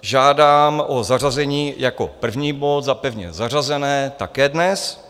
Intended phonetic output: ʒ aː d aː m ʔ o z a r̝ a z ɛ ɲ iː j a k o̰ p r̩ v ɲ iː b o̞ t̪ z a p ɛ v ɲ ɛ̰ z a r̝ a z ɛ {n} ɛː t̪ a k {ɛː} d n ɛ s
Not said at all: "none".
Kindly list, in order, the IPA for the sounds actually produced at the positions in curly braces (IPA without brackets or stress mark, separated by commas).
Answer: n, ɛː